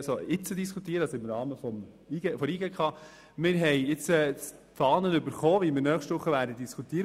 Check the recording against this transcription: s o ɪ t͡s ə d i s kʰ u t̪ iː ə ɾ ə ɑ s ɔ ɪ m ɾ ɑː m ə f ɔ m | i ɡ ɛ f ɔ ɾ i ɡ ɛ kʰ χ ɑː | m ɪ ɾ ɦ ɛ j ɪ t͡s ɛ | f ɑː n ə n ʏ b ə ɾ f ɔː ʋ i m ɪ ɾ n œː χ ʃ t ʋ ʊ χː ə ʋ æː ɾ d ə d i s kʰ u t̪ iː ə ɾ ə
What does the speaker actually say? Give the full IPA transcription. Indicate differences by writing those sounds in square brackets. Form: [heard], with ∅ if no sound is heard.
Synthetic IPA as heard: s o ɪ t͡s ə d i s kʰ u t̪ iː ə ɾ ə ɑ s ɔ ɪ m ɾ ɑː m ə f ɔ m | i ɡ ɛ f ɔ ɾ i ɡ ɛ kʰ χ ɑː | m ɪ ɾ ɦ ɛ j ɪ t͡s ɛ | f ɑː n ə n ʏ b ə ɾ [χ] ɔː ʋ i m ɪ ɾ n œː χ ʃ t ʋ ʊ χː ə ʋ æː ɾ d ə d i s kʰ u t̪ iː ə ɾ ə

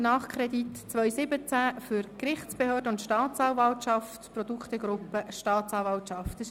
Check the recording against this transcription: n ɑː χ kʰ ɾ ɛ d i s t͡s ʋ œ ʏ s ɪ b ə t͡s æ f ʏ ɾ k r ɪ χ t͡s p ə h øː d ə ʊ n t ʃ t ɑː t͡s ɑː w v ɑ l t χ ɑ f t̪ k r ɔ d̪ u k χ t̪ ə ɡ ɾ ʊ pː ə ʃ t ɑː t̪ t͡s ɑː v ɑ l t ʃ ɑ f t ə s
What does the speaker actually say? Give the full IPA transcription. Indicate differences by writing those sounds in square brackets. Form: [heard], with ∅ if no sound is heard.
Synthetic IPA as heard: n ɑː χ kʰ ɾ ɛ d i [t] t͡s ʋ œ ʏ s ɪ b ə t͡s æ f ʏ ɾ k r ɪ χ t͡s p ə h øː d ə ʊ n t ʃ t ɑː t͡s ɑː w v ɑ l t [ʃ] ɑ f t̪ [p] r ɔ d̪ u k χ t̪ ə ɡ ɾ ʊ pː ə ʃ t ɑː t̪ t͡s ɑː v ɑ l t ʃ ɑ f t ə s

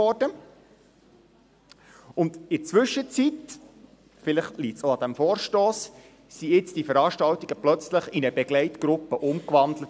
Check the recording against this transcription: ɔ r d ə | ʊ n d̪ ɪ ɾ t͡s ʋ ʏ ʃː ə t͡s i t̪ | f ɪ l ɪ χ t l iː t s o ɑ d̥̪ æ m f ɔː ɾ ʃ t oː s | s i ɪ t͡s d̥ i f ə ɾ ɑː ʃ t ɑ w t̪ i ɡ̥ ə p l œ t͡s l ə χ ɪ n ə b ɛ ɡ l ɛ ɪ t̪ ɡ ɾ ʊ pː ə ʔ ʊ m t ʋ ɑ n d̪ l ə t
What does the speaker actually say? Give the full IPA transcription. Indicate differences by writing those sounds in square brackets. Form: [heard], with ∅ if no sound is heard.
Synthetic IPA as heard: ɔ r d ə | ʊ n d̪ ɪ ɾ t͡s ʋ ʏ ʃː ə t͡s i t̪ | f ɪ l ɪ χ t l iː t s o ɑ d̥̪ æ m f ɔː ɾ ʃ t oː s | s i ɪ t͡s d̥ i f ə ɾ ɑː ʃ t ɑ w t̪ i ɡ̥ ə p l œ t͡s l ə χ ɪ n ə b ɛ ɡ l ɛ ɪ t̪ ɡ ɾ ʊ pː ə ʔ ʊ m [k] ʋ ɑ n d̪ l ə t

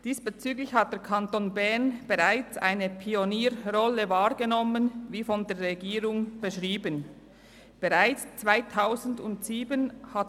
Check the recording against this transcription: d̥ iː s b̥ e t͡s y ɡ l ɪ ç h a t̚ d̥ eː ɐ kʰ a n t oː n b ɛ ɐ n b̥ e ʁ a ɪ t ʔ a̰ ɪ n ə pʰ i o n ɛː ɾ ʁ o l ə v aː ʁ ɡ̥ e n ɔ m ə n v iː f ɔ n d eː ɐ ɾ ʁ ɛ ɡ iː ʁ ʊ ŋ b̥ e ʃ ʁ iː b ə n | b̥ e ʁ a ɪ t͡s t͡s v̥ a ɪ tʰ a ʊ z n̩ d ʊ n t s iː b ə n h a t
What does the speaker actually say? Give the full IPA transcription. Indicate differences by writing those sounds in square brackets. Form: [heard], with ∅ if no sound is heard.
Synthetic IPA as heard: d̥ iː s b̥ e t͡s [yː] ɡ l ɪ ç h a t̚ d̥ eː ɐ kʰ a n t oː n b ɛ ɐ n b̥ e ʁ a ɪ [t͡s] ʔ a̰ ɪ n ə pʰ i o n [iː] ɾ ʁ [ɔ] l ə v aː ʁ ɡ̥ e n ɔ m ə n v iː f ɔ n d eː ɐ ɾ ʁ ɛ ɡ iː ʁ ʊ ŋ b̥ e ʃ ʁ iː b ə n | b̥ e ʁ a ɪ t͡s t͡s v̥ a ɪ tʰ a ʊ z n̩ d ʊ n t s iː b ə n h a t

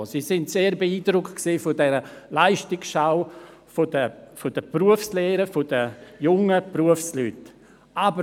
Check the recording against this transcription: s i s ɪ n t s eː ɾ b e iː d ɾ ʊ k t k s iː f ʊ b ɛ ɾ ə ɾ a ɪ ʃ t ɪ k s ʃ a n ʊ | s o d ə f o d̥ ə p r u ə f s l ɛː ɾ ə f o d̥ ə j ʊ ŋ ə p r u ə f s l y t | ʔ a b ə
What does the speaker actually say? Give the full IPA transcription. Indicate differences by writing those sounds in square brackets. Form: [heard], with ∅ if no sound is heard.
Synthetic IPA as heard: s i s ɪ n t s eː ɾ b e iː d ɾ ʊ k t k s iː f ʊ [d] ɛ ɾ ə [l] a ɪ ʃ t ɪ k s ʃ a [∅] ʊ | [f] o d ə f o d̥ ə p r u ə f s l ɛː ɾ ə f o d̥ ə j ʊ ŋ ə p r u ə f s l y t | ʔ a b ə

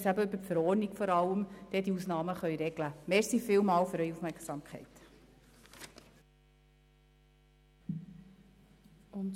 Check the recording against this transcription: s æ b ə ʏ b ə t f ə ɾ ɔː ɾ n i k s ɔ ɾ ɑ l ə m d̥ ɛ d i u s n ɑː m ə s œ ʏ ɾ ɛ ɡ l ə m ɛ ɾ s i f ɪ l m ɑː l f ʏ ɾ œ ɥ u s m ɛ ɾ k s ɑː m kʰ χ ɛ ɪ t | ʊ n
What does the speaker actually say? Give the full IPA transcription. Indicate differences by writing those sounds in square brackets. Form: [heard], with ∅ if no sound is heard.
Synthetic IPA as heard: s æ b ə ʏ b ə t f ə ɾ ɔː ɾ n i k [f] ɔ ɾ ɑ l ə m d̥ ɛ d i u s n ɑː m ə [χ] œ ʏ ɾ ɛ ɡ l ə m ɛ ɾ s i f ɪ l m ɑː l f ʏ ɾ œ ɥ u [f] m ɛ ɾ k s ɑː m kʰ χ ɛ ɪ t | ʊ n

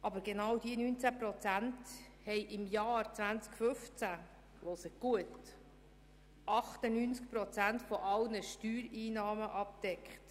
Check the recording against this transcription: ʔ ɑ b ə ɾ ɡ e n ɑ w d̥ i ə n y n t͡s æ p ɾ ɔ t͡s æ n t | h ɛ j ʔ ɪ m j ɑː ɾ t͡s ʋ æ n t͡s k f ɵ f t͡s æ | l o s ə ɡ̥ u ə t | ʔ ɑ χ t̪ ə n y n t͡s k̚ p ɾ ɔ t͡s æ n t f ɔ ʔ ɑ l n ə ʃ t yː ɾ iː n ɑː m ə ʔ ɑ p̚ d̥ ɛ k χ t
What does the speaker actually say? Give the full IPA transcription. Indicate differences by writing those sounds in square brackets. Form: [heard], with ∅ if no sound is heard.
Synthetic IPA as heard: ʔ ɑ b ə ɾ ɡ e n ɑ w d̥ i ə n y n t͡s æ p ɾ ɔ t͡s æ n t | h ɛ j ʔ ɪ m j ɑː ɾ t͡s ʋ æ n t͡s k f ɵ f t͡s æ | l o s ə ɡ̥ u ə t | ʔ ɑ χ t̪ ə n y n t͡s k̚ p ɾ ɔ t͡s æ n t f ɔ ʔ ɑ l n ə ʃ t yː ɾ iː n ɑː m ə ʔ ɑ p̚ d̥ ɛ k χ t

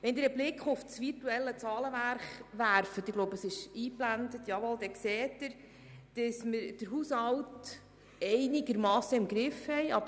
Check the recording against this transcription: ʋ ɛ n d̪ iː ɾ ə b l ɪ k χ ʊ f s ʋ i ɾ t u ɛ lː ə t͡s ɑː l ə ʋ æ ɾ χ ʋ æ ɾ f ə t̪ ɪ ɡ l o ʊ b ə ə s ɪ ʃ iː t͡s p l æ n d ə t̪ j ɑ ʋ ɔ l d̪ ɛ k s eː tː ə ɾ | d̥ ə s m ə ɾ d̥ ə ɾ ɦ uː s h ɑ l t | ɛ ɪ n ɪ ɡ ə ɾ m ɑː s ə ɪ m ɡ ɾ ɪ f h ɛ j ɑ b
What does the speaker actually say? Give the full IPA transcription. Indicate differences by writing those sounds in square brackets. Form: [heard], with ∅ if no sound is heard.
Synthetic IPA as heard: ʋ ɛ n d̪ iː ɾ ə b l ɪ k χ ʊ f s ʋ i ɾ t u ɛ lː ə t͡s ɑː l ə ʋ æ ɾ χ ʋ æ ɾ f ə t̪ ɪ ɡ l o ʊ b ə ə s ɪ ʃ iː [∅] p l æ n d ə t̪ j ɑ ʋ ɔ l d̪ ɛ k s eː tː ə ɾ | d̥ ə s m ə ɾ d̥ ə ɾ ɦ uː s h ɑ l t | ɛ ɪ n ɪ ɡ ə ɾ m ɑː s ə ɪ m ɡ ɾ ɪ f h ɛ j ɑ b

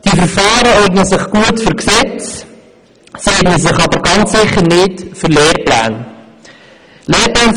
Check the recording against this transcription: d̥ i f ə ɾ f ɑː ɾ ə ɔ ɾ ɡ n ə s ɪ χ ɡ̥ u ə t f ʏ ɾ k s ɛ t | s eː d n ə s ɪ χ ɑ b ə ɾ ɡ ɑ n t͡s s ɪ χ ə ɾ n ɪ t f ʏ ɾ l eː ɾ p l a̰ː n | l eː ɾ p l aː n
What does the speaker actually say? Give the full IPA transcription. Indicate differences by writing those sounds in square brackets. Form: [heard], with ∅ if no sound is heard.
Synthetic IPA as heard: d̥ i f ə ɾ f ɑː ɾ ə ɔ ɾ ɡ n ə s ɪ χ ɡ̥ u ə t f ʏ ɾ k s ɛ [t͡s] | s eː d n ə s ɪ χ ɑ b ə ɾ ɡ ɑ n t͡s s ɪ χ ə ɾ n ɪ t f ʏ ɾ l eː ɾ p l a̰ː n | l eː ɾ p l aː n

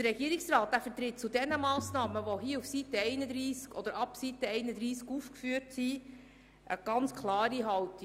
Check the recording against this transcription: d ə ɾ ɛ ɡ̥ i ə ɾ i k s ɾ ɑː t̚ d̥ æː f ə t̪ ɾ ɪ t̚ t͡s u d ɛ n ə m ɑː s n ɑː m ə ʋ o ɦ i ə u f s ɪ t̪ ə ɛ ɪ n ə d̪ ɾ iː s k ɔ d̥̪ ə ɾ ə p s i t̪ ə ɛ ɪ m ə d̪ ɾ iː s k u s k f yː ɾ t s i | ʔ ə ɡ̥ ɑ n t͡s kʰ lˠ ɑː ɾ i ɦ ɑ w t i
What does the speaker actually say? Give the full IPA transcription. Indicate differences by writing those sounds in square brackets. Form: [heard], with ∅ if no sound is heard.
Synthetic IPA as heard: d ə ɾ ɛ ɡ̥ i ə ɾ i k s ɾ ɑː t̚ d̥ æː f ə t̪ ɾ ɪ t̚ t͡s u d ɛ n ə m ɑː s n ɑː m ə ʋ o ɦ i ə u f s [i] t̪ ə ɛ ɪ n ə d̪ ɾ iː s k ɔ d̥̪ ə ɾ [ɑ] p s i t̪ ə ɛ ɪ [n] ə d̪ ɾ iː s k u [f] k f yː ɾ t s i | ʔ ə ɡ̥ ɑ n t͡s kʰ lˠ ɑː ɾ i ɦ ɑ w t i

